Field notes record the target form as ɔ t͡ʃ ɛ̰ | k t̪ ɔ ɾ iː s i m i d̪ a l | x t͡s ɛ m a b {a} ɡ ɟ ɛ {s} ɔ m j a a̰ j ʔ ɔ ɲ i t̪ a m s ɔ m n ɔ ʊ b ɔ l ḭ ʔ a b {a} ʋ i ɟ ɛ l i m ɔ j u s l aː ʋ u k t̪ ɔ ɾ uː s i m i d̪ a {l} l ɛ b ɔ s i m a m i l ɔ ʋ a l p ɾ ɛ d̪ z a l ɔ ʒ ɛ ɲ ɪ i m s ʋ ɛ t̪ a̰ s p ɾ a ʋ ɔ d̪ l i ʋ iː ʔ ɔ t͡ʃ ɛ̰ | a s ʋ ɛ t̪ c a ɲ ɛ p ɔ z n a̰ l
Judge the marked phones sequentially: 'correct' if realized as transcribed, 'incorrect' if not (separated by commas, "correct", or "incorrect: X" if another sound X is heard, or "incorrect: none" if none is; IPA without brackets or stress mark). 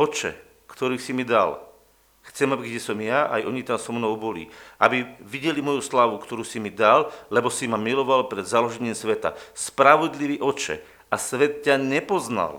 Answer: incorrect: i, correct, incorrect: i, correct